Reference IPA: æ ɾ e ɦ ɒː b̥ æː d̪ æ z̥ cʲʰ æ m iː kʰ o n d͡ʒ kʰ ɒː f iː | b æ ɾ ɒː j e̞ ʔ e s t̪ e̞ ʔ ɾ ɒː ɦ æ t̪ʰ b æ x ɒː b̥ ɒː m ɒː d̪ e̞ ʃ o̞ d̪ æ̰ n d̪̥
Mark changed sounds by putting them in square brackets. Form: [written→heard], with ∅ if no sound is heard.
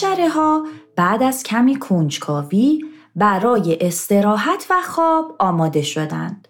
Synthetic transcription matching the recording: æ ɾ e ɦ ɒː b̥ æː d̪ æ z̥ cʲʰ æ m iː kʰ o n d͡ʒ kʰ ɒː [f→v] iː | b æ ɾ ɒː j e̞ ʔ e s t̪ e̞ [ʔ→∅] ɾ ɒː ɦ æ t̪ʰ [b→v] æ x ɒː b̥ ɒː m ɒː d̪ e̞ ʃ o̞ d̪ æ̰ n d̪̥